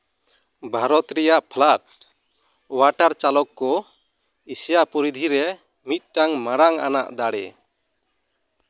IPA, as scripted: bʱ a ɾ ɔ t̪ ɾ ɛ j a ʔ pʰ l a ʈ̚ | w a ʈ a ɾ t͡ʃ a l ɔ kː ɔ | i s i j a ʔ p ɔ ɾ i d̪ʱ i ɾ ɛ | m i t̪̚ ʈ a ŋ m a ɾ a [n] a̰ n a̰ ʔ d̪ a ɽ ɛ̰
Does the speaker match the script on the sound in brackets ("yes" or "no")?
no